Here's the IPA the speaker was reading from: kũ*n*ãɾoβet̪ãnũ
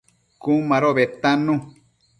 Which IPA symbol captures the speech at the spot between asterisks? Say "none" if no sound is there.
m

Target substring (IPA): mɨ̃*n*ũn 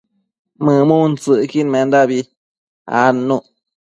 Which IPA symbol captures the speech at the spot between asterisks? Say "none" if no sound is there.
m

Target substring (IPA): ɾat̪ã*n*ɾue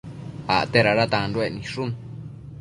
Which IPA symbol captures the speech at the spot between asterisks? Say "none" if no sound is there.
n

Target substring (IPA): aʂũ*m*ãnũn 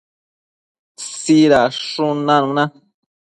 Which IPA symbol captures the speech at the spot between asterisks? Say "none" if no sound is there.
n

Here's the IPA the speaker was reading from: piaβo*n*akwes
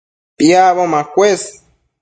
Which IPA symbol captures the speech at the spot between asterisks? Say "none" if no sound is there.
m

